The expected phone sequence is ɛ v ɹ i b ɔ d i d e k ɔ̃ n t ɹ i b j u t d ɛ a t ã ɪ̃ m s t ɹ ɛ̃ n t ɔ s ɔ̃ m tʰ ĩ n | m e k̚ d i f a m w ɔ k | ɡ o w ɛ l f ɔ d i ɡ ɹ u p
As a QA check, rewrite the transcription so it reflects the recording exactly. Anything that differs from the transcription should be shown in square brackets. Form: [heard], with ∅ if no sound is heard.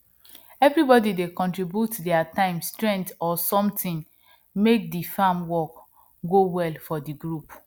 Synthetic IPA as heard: ɛ v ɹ i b ɔ d i d e k ɔ̃ n t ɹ i b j u t d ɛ a t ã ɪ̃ m s t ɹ ɛ̃ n t ɔ s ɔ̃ m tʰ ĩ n | m e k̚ d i f a m w ɔ k | ɡ o w ɛ l f ɔ d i ɡ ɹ u p

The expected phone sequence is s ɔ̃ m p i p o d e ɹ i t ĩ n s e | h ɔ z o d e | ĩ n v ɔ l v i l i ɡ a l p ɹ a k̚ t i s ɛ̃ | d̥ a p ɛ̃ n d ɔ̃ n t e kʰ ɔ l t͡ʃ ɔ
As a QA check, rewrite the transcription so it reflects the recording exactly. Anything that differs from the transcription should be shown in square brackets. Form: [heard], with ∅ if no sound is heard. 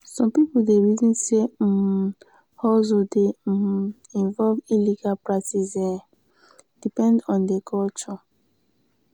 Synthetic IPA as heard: s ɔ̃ m p i p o d e ɹ i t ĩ n s e | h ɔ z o d e | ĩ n v ɔ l v i l i ɡ a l p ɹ a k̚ t i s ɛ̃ | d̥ [i] p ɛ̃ n d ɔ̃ n [d] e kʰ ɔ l t͡ʃ ɔ

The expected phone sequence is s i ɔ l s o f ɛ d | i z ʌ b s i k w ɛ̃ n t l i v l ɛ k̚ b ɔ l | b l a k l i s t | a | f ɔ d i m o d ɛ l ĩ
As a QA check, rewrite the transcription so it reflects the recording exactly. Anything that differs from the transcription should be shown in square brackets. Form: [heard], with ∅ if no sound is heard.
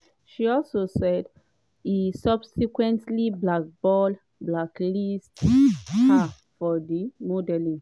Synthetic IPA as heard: [ʃ] i ɔ l s o [s] ɛ d | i [s] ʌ b s i k w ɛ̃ n t l i [b] l [a] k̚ b ɔ l | b l a k l i s t | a | f ɔ d i m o d ɛ l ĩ

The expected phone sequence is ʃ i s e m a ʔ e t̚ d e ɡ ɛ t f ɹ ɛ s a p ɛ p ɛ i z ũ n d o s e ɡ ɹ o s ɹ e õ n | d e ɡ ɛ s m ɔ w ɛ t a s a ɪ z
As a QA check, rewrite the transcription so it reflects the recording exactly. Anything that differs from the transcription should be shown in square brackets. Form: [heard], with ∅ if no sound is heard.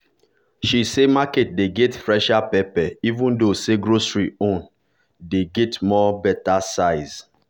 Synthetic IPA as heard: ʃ i s e m a [k] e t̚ d e ɡ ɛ t f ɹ ɛ [ʃ] a p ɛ p ɛ i [v] ũ n d o s e ɡ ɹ o s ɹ [i] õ n | d e ɡ ɛ [t] m ɔ [b] ɛ t a s a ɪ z

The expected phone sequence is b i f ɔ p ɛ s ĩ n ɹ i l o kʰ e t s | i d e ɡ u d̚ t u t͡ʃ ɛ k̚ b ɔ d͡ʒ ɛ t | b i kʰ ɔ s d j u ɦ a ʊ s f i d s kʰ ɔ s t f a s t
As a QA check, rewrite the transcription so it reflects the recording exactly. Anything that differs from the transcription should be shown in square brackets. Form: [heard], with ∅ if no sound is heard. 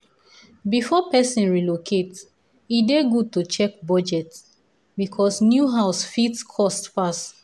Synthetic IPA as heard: b i f ɔ p ɛ s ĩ n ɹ i l o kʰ e t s | i d e ɡ u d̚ t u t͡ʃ ɛ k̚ b ɔ d͡ʒ ɛ t | b i kʰ ɔ s [n] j u ɦ a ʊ s f i [t] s kʰ ɔ s t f a s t

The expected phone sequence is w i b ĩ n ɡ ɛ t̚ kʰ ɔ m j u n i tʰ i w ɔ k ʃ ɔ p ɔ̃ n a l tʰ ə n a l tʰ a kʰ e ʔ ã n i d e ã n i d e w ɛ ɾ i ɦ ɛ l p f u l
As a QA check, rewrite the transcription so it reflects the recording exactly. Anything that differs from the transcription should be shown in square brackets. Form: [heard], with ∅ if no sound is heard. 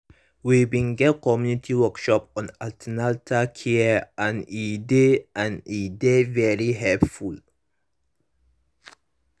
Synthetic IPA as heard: w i b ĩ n ɡ ɛ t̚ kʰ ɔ m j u n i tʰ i w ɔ k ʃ ɔ p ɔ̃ n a l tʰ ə n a l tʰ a kʰ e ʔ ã n i d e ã n i d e [v] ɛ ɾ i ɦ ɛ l p f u l

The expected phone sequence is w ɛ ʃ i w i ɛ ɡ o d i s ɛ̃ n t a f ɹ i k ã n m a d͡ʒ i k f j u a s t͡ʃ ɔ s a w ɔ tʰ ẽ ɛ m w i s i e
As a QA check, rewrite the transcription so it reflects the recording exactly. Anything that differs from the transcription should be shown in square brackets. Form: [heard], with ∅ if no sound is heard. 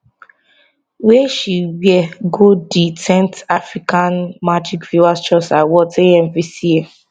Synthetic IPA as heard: w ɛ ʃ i w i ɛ ɡ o d i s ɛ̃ n t a f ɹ i k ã n m a d͡ʒ i k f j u a s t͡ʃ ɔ s a w ɔ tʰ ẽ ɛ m [v] i s i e

